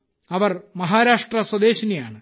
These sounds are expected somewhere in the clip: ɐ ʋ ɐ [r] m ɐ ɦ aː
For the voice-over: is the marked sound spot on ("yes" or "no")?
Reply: yes